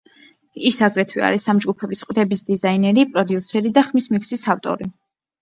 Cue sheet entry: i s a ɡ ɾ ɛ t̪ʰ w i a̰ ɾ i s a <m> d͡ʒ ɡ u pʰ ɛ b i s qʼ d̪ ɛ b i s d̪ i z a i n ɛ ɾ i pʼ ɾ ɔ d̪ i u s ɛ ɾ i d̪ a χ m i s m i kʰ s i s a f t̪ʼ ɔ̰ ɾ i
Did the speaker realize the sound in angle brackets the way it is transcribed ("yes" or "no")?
yes